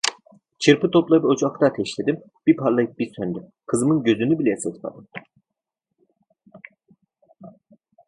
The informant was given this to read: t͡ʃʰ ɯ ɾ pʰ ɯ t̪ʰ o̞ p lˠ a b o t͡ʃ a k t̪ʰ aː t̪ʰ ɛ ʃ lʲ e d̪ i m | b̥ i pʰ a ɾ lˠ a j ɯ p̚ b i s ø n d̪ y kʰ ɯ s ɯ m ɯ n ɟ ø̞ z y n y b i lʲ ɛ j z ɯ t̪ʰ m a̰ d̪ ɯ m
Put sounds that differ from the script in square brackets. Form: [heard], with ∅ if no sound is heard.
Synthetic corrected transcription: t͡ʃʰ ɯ ɾ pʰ ɯ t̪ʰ o̞ p lˠ a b o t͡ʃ a k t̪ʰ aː t̪ʰ ɛ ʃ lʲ e d̪ i m | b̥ i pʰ a ɾ lˠ a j ɯ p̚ b i s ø n d̪ y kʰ ɯ [z] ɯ m ɯ n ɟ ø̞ z y n y b i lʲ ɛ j [s] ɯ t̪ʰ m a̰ d̪ ɯ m